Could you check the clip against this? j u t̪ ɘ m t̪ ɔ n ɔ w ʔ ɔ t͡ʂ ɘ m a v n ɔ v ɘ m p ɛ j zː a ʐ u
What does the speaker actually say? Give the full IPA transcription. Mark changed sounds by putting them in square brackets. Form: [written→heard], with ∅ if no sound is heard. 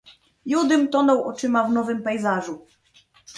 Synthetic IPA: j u [t̪→d̪] ɘ m t̪ ɔ n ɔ w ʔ ɔ t͡ʂ ɘ m a v n ɔ v ɘ m p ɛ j [zː→z] a ʐ u